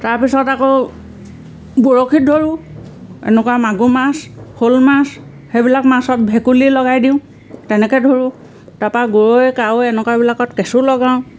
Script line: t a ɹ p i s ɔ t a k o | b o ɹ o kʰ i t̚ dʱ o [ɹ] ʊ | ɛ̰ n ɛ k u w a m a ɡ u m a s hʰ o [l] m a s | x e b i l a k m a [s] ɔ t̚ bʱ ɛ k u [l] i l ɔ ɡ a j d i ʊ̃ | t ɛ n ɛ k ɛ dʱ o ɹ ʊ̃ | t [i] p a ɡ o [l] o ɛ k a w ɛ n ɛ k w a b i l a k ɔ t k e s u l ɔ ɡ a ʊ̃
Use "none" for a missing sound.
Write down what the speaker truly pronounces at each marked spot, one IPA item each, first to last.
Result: ɹ, l, s, l, a, ɹ

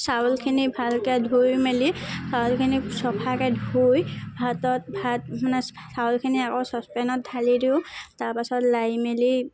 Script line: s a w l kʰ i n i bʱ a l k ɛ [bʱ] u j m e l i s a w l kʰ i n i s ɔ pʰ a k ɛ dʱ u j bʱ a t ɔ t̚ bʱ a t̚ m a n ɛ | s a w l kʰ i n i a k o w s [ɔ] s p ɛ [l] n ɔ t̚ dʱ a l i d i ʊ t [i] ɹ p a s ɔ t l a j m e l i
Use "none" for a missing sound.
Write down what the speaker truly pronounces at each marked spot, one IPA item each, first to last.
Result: dʱ, ɔ, none, a

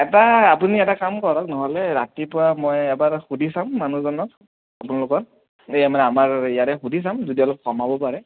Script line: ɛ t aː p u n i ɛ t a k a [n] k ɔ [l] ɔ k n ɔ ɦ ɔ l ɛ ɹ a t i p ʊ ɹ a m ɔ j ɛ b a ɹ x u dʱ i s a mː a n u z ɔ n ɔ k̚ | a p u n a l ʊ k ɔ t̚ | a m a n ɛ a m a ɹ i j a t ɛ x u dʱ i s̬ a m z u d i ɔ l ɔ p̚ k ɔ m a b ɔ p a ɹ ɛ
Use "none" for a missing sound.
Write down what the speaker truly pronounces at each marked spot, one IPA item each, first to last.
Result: m, ɹ

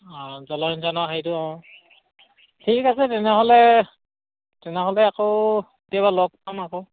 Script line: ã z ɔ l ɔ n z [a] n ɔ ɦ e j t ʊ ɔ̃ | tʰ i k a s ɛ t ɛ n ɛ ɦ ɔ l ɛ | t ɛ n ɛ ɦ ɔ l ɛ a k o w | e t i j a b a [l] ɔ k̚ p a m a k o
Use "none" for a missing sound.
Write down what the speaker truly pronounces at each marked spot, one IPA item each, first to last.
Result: a, l

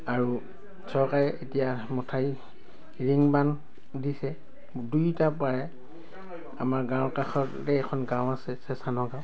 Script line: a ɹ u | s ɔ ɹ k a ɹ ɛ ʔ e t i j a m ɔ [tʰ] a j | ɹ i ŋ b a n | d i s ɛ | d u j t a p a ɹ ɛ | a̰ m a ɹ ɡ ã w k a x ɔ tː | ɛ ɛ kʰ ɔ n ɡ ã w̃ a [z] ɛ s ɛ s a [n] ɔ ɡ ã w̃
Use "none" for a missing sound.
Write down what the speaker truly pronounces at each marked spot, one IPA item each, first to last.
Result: tʰ, s, n

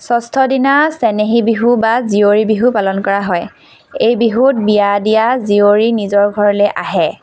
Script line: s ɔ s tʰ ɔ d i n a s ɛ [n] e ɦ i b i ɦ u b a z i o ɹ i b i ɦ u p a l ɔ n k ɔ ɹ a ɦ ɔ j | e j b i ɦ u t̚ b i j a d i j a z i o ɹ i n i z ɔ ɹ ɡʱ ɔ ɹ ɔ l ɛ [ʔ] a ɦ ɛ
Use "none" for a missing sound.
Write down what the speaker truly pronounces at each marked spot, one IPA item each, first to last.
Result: n, ʔ

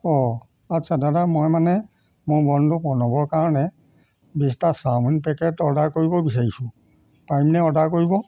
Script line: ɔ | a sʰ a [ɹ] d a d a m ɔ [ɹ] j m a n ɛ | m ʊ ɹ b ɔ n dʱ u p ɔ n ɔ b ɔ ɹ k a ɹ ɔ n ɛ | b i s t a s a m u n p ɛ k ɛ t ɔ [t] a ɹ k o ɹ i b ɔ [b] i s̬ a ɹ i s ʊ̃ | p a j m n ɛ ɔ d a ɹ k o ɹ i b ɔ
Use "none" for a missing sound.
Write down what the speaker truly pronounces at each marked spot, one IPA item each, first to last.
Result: none, none, d, b

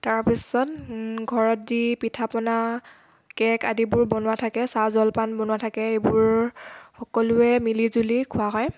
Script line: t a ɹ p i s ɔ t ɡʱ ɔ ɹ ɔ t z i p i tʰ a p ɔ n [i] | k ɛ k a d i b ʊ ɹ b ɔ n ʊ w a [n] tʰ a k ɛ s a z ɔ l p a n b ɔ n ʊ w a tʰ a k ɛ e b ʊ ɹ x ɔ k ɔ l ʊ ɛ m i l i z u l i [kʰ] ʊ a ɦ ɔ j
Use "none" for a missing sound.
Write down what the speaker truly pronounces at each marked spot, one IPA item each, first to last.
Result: a, none, kʰ

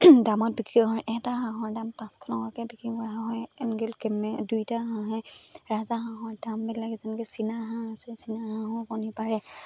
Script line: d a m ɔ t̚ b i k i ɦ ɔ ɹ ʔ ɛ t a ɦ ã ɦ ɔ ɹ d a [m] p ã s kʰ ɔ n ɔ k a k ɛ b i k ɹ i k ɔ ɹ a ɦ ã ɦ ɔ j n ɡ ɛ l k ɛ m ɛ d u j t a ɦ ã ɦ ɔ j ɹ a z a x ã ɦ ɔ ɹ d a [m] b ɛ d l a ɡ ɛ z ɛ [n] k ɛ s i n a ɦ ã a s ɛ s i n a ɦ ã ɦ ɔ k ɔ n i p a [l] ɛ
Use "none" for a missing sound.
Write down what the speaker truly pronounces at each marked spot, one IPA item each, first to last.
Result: m, m, n, ɹ

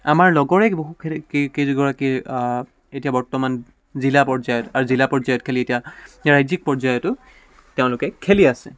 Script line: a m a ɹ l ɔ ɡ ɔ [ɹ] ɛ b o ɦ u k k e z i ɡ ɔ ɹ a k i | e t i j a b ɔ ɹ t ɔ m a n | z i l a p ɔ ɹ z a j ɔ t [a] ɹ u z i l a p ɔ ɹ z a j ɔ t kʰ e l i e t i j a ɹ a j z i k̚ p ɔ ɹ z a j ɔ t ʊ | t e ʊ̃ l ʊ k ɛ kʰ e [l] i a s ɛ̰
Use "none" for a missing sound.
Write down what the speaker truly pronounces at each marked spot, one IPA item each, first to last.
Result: ɹ, a, l

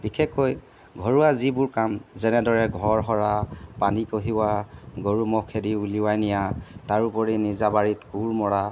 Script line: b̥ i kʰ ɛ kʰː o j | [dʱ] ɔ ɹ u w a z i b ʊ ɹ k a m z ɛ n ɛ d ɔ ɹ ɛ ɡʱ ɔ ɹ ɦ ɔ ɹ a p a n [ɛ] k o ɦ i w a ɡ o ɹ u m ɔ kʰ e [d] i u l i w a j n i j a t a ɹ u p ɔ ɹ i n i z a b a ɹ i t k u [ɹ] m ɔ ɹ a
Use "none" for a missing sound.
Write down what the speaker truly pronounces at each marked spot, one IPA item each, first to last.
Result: ɡʱ, i, d, ɹ

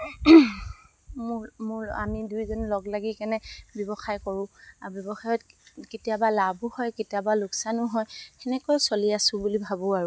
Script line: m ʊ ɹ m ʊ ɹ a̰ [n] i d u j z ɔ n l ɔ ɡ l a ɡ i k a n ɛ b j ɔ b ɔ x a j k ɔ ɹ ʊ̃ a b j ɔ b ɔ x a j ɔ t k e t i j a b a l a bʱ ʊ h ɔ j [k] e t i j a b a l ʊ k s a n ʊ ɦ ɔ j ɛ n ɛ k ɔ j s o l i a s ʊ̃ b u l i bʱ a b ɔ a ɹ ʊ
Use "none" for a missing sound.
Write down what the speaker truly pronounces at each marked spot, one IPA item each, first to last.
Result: m, k

